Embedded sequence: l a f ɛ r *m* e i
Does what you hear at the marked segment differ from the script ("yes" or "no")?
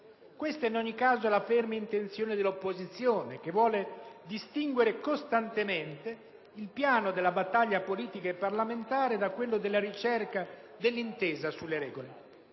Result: no